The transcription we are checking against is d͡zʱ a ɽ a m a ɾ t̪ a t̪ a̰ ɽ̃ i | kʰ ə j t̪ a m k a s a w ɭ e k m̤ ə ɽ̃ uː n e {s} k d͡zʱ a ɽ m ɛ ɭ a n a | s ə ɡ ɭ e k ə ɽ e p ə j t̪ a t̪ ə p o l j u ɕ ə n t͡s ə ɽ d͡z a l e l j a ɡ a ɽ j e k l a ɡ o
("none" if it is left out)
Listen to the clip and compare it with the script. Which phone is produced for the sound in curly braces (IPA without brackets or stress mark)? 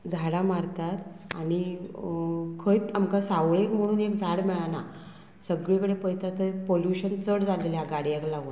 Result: none